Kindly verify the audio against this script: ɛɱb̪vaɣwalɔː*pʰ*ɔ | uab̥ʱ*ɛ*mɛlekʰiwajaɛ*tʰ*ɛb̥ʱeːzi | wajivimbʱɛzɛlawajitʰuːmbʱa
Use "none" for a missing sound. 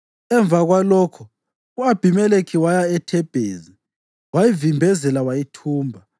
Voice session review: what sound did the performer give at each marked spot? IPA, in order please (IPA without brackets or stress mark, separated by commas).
kʰ, i, tʰ